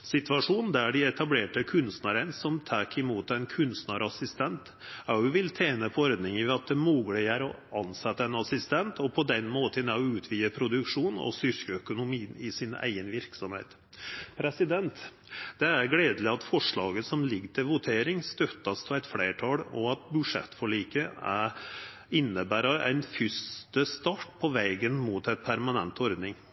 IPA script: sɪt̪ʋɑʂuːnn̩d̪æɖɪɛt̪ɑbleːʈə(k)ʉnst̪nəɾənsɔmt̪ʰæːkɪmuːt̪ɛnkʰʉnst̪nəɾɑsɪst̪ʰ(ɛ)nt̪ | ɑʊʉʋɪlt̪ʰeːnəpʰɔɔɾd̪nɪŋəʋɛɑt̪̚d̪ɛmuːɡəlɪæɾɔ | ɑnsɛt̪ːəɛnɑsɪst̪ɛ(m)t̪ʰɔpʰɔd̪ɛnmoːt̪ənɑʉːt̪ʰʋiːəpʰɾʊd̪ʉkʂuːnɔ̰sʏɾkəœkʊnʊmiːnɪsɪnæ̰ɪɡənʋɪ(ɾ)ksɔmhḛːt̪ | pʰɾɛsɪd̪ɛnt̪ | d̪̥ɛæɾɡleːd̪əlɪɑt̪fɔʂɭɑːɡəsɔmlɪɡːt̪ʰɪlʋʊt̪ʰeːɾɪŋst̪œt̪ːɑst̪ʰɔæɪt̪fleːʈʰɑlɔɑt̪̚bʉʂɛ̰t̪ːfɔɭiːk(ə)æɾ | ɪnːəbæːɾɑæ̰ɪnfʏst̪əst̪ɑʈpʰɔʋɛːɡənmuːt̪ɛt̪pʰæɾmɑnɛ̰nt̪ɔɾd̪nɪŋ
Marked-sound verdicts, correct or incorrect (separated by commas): incorrect, correct, incorrect, correct, correct